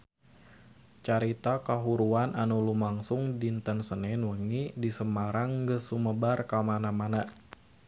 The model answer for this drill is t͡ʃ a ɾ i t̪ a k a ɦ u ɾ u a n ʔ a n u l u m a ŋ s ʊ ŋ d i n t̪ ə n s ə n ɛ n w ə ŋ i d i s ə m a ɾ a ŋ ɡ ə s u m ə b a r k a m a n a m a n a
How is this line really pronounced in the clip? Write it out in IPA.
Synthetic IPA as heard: t͡ʃ a ɾ i t̪ a k a ɦ u ɾ u a n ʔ a n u l u m a ŋ s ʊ ŋ d i n t̪ ə n s ə n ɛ n w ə ŋ i d i s ə m a ɾ a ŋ ɡ ə s u m ə b a r k a m a n a m a n a

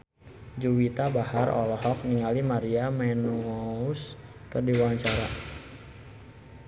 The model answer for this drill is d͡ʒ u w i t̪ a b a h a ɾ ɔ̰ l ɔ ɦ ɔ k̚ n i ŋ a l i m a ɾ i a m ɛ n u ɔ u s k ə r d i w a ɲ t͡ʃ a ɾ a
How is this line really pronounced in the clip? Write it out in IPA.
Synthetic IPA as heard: d͡ʒ u w i t̪ a b a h a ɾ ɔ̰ l ɔ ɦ ɔ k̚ n i ŋ a l i m a ɾ i a m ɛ n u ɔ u s k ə r d i w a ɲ t͡ʃ a ɾ a

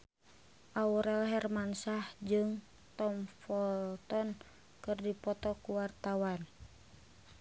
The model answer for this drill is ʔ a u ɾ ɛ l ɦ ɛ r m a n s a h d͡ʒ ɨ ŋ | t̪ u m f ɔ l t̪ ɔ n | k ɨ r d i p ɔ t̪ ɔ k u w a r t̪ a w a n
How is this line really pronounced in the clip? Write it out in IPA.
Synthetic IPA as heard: ʔ a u ɾ ɛ l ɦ ɛ r m a n s a h d͡ʒ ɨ ŋ | t̪ ɔ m f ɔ l t̪ ɔ n | k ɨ r d i p ɔ t̪ ɔ k u w a r t̪ a w a n

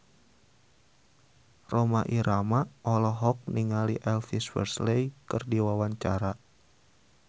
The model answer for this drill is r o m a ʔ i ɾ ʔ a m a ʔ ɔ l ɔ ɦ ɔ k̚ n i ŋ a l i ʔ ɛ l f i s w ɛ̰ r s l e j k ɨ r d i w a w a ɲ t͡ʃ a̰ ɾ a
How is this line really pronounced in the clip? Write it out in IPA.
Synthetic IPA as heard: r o m a ʔ i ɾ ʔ a m a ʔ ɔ l ɔ ɦ ɔ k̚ n i ŋ a l i ʔ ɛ l f i s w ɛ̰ r s l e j k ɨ r d i w a w a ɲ t͡ʃ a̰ ɾ a

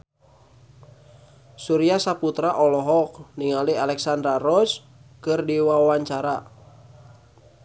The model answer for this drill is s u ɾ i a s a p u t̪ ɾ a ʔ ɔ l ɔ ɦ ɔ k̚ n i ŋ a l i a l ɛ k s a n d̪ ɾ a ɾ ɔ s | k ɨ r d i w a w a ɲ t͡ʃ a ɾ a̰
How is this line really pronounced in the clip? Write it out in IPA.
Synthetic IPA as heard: s u ɾ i a s a p u t̪ ɾ a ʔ ɔ l ɔ ɦ ɔ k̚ n i ŋ a l i a l ɛ k s a n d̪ ɾ a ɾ ɔ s | k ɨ r d i w a w a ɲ t͡ʃ a ɾ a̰

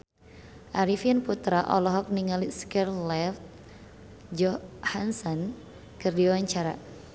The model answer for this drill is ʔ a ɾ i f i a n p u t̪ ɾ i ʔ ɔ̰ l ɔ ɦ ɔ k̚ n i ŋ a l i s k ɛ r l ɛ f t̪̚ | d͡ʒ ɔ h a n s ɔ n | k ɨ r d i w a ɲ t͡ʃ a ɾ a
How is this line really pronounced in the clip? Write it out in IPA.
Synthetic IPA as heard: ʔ a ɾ i f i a n p u t̪ ɾ a ʔ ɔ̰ l ɔ ɦ ɔ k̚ n i ŋ a l i s k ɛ r l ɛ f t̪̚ | d͡ʒ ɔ h a n s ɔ n | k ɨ r d i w a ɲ t͡ʃ a ɾ a

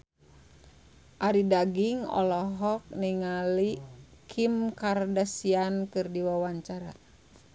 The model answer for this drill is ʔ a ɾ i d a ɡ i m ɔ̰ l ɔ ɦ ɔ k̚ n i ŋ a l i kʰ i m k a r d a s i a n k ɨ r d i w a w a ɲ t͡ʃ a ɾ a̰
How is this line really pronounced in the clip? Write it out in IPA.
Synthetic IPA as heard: ʔ a ɾ i d a ɡ i ŋ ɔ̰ l ɔ ɦ ɔ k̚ n i ŋ a l i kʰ i m k a r d a s i a n k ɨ r d i w a w a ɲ t͡ʃ a ɾ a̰

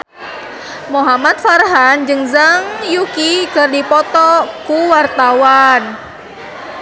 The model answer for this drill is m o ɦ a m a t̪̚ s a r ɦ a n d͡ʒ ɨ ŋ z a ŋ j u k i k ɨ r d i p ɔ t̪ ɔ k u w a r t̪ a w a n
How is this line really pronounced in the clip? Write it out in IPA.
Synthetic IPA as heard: m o ɦ a m a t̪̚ f a r ɦ a n d͡ʒ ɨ ŋ z a ŋ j u k i k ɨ r d i p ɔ t̪ ɔ k u w a r t̪ a w a n

